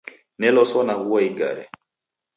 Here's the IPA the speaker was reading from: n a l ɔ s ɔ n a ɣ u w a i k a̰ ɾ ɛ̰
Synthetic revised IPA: n ɛ l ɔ s ɔ n a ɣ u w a i ɡ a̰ ɾ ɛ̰